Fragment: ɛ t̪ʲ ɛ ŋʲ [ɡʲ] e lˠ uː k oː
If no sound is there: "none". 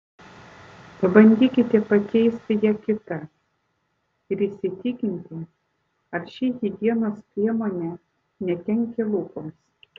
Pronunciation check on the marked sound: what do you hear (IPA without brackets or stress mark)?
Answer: kʲ